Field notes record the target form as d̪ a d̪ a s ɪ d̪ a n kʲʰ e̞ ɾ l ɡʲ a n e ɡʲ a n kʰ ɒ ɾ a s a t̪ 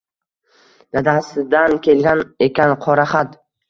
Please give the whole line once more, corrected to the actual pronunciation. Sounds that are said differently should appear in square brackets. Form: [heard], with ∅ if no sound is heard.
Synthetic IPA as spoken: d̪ a d̪ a s ɪ d̪ a n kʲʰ e̞ [∅] l ɡʲ a n e [kʲ] a n [qʰ] ɒ ɾ a [χ] a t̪